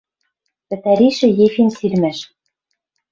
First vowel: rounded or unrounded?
unrounded